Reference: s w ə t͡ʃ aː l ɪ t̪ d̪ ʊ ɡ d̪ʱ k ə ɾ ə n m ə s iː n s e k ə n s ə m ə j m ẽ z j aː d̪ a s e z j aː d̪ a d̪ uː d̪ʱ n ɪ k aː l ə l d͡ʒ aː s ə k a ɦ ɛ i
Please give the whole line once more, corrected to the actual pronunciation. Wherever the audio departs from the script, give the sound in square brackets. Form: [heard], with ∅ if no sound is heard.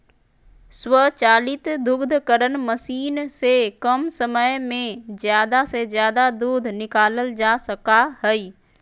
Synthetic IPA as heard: s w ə t͡ʃ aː l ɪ t̪ d̪ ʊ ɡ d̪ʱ k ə ɾ ə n m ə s iː n s e k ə [m] s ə m ə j m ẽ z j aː d̪ a s e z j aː d̪ a d̪ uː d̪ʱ n ɪ k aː l ə l d͡ʒ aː s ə k a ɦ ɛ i